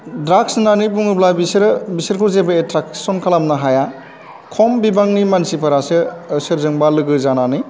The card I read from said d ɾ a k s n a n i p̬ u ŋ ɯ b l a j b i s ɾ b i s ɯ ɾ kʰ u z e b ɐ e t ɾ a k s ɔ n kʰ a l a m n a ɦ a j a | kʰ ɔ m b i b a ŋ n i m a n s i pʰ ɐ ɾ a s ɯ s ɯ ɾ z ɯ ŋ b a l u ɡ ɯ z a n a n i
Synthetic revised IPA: d ɾ a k s n a n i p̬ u ŋ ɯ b l a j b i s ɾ b i s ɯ ɾ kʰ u z e b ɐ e t ɾ a k s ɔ n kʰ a l a m n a ɦ a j a | kʰ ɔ m b i b a ŋ n i m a n s i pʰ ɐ ɾ a s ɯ s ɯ ɾ z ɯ ŋ b a l ɯ ɡ ɯ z a n a n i